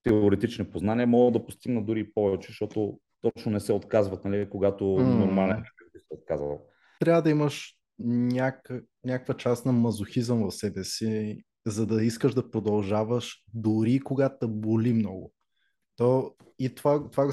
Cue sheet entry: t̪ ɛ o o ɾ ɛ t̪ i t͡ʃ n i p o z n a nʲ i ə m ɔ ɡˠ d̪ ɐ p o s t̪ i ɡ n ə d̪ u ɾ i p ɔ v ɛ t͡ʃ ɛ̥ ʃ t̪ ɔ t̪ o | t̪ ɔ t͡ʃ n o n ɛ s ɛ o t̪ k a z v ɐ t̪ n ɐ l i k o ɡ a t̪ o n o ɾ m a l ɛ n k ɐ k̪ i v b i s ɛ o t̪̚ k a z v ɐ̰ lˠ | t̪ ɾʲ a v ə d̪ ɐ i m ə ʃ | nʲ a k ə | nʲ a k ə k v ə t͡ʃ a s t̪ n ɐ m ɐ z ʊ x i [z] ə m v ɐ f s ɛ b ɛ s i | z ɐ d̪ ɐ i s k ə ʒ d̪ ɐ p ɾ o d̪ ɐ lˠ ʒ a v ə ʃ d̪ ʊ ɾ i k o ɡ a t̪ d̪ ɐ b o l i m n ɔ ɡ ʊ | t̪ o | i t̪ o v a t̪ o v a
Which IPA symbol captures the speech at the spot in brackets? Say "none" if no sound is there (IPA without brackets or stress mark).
z